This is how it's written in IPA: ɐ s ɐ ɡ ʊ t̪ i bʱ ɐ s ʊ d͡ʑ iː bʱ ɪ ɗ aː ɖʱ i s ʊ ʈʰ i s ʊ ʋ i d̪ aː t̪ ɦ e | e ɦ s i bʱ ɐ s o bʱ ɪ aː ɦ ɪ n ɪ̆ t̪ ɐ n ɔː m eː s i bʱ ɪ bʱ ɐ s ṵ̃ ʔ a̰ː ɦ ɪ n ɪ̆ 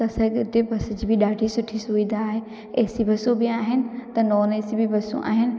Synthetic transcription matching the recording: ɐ s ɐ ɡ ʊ t̪ e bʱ ɐ s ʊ d͡ʑ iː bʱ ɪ ɗ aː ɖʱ i s ʊ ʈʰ i s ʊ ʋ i d̪ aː ɦ e | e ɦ s i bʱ ɐ s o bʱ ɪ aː ɦ ɪ n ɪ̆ t̪ ɐ n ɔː n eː s i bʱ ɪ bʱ ɐ s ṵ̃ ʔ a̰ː ɦ ɪ n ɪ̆